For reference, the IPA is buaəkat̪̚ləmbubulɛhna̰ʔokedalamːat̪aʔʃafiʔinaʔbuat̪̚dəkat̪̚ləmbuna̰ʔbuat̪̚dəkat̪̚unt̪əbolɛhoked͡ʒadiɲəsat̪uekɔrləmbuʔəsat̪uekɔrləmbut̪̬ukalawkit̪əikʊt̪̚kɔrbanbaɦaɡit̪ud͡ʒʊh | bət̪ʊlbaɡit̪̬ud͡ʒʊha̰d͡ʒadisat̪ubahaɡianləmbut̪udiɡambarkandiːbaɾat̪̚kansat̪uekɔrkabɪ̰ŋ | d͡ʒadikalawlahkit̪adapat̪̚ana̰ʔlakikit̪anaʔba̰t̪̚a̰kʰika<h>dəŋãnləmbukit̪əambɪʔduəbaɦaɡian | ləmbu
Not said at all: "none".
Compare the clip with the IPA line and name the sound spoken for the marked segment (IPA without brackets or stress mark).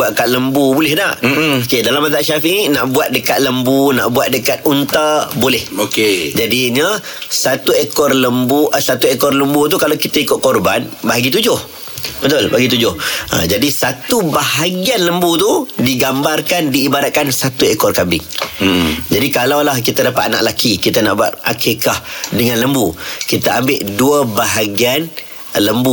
h